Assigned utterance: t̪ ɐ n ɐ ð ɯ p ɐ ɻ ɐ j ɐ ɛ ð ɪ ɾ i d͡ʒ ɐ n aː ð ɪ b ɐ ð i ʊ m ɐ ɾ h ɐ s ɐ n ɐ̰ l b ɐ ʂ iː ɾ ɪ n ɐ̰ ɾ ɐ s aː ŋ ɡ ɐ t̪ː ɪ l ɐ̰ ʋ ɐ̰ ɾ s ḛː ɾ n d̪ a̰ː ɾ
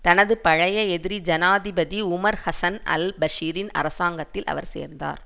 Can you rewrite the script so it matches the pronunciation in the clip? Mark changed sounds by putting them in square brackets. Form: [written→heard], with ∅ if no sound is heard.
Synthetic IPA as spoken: t̪ ɐ n ɐ ð ɯ p ɐ ɻ ɐ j ɐ ɛ ð ɪ ɾ i d͡ʒ ɐ n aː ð ɪ b ɐ ð i ʊ m ɐ ɾ h ɐ s ɐ n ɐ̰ l b ɐ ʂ iː ɾ ɪ n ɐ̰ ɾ ɐ s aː ŋ ɡ ɐ t̪ː ɪ l ɐ̰ ʋ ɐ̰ ɾ s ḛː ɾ n d̪ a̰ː ɾ

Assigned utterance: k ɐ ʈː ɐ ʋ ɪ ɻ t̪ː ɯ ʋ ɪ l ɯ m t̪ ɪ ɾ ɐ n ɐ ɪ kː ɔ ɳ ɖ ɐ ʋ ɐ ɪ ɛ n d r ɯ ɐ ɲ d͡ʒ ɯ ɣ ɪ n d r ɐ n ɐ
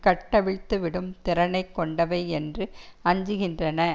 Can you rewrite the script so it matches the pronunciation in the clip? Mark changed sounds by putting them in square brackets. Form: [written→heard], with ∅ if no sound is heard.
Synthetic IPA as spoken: k ɐ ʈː ɐ ʋ ɪ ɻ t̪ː ɯ ʋ ɪ [l→ɽ] ɯ m t̪ ɪ ɾ ɐ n ɐ ɪ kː ɔ ɳ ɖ ɐ ʋ ɐ ɪ ɛ n d r ɯ ɐ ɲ d͡ʒ ɯ ɣ ɪ n d r ɐ n ɐ

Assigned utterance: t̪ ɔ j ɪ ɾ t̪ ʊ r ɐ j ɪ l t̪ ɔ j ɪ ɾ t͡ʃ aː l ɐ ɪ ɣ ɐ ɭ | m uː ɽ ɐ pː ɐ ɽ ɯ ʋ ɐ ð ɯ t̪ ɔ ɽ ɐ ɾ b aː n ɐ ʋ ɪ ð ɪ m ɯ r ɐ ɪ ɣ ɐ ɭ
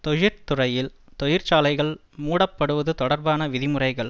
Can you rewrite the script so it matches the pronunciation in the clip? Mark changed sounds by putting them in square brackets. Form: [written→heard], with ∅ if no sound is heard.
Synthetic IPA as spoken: t̪ ɔ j ɪ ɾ t̪ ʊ r ɐ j ɪ l t̪ ɔ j ɪ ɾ t͡ʃ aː l ɐ ɪ ɣ ɐ ɭ | m uː ɽ ɐ pː ɐ ɽ ɯ ʋ ɐ ð ɯ t̪ ɔ ɽ ɐ ɾ b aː n ɐ ʋ ɪ ð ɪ m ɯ r ɐ ɪ ɣ ɐ ɭ

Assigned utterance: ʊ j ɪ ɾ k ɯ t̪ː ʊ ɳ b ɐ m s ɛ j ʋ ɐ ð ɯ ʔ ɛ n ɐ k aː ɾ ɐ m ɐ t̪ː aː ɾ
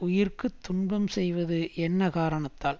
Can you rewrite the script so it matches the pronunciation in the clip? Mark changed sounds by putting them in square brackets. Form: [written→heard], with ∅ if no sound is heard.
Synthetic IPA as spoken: ʊ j ɪ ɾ k ɯ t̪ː ʊ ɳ b ɐ m s ɛ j ʋ ɐ ð ɯ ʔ ɛ [n→nː] ɐ k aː ɾ ɐ [m→ɳ] ɐ t̪ː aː [ɾ→l]

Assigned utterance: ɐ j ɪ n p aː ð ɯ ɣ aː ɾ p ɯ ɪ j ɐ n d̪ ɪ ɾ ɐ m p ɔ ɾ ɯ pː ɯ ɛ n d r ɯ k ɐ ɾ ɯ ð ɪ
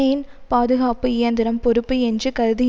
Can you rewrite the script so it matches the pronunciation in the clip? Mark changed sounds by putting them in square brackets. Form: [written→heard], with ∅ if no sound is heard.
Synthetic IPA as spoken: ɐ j ɪ n p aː ð ɯ ɣ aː [ɾ→∅] p ɯ ɪ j ɐ n d̪ ɪ ɾ ɐ m p ɔ ɾ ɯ pː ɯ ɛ n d r ɯ k ɐ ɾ ɯ ð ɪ

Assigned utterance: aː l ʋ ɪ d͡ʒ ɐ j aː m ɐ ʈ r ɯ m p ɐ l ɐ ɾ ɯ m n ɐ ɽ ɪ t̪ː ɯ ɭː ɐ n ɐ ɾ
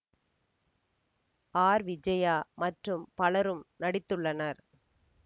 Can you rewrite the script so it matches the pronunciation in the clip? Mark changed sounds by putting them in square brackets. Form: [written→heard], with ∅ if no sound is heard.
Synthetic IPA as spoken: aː [l→ɾ] ʋ ɪ d͡ʒ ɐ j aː m ɐ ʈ r ɯ m p ɐ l ɐ ɾ ɯ m n ɐ ɽ ɪ t̪ː ɯ ɭː ɐ n ɐ ɾ

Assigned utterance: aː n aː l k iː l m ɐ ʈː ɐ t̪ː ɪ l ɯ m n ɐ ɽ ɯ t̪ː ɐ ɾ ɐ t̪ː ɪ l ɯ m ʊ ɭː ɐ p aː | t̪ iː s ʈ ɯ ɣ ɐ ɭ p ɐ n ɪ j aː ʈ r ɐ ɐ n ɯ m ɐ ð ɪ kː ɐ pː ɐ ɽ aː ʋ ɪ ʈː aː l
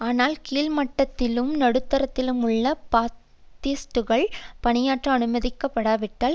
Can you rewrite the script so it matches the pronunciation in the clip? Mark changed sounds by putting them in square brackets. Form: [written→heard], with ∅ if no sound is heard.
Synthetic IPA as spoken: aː n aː l k iː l m ɐ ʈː ɐ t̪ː ɪ l ɯ m n ɐ ɽ ɯ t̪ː ɐ ɾ ɐ t̪ː ɪ l ɯ m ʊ ɭː ɐ p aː | t̪ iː s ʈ ɯ ɣ ɐ ɭ p ɐ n ɪ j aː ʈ r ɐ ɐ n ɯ m ɐ ð ɪ kː ɐ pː ɐ ɽ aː ʋ ɪ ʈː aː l

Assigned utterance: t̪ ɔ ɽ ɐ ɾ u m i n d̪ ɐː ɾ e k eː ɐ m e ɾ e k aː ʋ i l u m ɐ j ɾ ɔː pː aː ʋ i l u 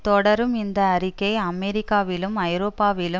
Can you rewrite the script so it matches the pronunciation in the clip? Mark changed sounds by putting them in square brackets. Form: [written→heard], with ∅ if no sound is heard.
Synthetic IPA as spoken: t̪ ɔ ɽ ɐ ɾ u m i n d̪ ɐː ɾ [e→i] k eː ɐ m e ɾ [e→i] k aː ʋ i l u m ɐ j ɾ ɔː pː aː ʋ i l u

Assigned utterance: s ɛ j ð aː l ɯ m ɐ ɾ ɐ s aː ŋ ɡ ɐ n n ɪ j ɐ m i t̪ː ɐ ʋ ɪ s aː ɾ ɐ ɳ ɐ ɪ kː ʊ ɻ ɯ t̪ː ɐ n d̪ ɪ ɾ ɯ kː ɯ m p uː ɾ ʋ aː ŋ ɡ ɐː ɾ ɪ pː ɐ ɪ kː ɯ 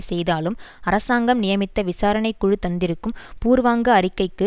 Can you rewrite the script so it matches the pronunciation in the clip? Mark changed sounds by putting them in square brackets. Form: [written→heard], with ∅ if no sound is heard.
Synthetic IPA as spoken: s ɛ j ð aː l ɯ m ɐ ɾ ɐ s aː ŋ ɡ ɐ [n→m] n ɪ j ɐ m [i→ɪ] t̪ː ɐ ʋ ɪ s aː ɾ ɐ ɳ ɐ ɪ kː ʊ ɻ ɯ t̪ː ɐ n d̪ ɪ ɾ ɯ kː ɯ m p uː ɾ ʋ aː ŋ ɡ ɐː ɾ ɪ [pː→kː] ɐ ɪ kː ɯ

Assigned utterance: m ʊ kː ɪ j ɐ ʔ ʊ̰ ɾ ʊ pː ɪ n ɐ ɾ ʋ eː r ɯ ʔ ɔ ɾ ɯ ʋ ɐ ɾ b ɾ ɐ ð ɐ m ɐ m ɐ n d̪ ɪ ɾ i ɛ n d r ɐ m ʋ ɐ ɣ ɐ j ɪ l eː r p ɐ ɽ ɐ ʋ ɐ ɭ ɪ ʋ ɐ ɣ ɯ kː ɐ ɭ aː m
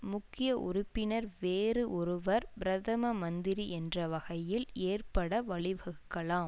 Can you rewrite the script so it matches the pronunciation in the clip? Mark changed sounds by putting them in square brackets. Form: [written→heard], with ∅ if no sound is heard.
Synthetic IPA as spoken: m ʊ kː ɪ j ɐ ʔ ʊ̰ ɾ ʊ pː ɪ n ɐ ɾ ʋ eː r ɯ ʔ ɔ ɾ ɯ ʋ ɐ ɾ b ɾ ɐ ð ɐ m ɐ m ɐ n d̪ ɪ ɾ i ɛ n d r ɐ [m→∅] ʋ ɐ ɣ ɐ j ɪ l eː r p ɐ ɽ ɐ ʋ ɐ ɭ ɪ ʋ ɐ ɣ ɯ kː ɐ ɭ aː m

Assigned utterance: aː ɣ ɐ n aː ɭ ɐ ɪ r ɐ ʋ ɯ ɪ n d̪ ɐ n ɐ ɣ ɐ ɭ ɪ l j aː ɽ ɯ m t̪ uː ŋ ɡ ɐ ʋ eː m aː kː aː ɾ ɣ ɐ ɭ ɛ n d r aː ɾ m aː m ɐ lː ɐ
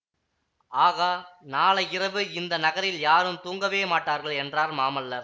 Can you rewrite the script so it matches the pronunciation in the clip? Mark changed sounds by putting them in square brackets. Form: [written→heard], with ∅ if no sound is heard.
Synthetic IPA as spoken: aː ɣ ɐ n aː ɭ ɐ ɪ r ɐ ʋ ɯ ɪ n d̪ ɐ n ɐ ɣ ɐ [ɭ→ɾ] ɪ l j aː [ɽ→ɾ] ɯ m t̪ uː ŋ ɡ ɐ ʋ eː m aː [kː→ʈː] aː ɾ ɣ ɐ ɭ ɛ n d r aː ɾ m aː m ɐ lː ɐ

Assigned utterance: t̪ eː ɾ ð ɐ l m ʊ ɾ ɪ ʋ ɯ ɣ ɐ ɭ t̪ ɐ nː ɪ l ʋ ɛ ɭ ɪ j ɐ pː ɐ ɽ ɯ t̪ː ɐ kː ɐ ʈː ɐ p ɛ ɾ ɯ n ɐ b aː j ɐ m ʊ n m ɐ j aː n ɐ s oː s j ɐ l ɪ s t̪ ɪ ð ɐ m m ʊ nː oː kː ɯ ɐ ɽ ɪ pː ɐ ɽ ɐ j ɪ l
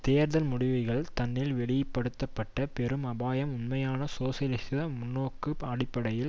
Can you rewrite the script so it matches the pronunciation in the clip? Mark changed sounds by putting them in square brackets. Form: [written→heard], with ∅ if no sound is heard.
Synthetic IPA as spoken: t̪ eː ɾ ð ɐ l m ʊ [ɾ→ɽ] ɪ ʋ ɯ ɣ ɐ ɭ t̪ ɐ nː ɪ l ʋ ɛ ɭ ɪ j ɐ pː ɐ ɽ ɯ t̪ː ɐ [kː→pː] ɐ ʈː ɐ p ɛ ɾ ɯ [n→m] ɐ b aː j ɐ m ʊ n m ɐ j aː n ɐ s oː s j ɐ l ɪ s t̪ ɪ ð ɐ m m ʊ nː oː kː ɯ ɐ ɽ ɪ pː ɐ ɽ ɐ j ɪ l

